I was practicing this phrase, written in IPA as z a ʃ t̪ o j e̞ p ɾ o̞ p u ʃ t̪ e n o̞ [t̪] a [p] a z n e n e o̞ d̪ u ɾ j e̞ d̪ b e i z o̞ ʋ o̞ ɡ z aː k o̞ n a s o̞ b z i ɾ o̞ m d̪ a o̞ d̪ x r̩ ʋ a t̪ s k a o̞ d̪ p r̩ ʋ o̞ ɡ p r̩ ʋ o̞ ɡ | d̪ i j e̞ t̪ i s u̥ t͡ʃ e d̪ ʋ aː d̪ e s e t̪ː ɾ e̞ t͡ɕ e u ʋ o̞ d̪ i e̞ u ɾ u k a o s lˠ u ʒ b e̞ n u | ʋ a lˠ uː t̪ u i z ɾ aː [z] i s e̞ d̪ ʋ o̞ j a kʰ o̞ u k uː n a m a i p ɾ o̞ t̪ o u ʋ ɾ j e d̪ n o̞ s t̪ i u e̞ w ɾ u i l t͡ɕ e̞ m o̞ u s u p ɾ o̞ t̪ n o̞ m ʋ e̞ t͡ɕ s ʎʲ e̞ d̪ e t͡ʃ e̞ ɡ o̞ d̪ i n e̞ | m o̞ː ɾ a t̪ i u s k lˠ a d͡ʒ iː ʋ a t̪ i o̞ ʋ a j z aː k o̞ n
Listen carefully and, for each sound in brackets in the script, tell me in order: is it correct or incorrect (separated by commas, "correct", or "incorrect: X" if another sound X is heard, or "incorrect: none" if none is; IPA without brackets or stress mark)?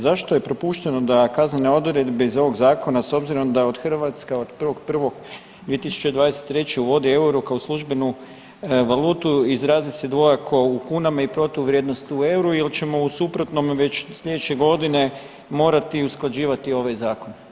incorrect: d̪, incorrect: k, correct